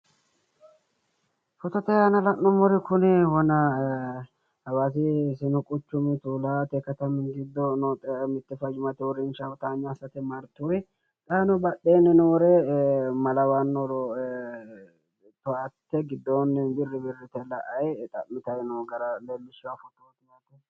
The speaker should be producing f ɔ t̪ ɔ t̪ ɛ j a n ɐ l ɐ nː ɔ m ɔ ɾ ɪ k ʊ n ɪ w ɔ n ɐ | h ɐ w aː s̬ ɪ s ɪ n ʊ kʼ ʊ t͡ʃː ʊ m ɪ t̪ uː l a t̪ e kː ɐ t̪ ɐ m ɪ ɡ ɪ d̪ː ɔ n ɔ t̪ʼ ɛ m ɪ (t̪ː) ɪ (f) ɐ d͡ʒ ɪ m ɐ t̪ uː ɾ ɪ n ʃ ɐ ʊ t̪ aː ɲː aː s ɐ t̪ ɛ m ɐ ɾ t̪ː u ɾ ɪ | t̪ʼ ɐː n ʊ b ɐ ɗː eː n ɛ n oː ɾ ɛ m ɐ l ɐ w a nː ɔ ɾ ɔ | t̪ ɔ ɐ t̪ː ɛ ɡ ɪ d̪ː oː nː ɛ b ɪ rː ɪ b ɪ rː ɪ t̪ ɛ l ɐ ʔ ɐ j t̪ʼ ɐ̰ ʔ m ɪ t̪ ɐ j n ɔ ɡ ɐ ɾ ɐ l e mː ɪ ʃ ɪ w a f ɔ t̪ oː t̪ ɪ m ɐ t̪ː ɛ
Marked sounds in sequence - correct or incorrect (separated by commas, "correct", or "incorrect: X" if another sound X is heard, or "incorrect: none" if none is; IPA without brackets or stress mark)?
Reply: correct, correct